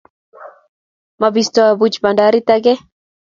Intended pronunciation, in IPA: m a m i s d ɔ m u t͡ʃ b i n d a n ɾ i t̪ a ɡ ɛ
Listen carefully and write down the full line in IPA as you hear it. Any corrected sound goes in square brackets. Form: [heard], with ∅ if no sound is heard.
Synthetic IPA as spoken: m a [b] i s [t] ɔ [b] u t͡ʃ b [a] n d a [∅] ɾ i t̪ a ɡ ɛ